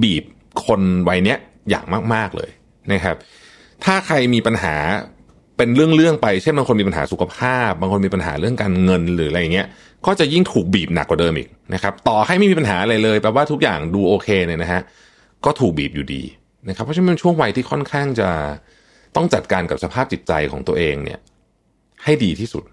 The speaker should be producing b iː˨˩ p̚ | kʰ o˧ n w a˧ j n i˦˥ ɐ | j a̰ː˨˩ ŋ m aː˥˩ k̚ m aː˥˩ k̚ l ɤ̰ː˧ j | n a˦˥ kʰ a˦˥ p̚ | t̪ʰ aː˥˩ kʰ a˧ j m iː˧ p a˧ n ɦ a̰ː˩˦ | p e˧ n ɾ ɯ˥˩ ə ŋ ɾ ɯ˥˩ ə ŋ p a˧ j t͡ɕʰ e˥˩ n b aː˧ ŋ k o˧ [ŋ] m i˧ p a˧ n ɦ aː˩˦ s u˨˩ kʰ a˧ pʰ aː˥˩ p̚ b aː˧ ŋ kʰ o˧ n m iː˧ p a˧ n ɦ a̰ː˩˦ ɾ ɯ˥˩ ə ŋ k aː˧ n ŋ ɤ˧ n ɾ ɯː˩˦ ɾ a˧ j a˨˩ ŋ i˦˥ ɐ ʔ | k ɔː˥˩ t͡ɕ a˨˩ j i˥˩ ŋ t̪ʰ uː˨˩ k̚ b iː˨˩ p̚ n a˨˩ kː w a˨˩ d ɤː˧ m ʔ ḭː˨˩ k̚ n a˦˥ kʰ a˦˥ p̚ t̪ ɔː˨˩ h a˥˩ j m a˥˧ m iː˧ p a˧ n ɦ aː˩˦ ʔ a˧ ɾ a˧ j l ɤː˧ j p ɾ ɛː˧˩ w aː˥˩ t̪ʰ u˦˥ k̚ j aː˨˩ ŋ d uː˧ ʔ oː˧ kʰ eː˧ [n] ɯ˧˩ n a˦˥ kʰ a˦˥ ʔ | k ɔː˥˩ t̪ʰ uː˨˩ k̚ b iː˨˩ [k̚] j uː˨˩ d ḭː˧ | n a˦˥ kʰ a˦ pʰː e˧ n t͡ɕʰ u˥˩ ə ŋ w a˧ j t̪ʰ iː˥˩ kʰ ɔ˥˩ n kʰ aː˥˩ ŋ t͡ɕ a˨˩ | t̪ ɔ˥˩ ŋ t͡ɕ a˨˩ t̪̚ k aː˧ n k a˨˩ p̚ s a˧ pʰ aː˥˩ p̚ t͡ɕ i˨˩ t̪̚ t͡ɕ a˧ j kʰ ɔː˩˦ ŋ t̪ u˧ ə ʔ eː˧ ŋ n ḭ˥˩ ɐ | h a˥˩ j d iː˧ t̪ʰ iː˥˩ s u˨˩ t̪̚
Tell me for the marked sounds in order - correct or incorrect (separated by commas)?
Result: incorrect, correct, incorrect